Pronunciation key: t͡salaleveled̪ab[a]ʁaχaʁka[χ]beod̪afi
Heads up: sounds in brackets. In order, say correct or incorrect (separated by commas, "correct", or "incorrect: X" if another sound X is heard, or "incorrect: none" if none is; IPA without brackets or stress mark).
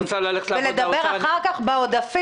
incorrect: e, correct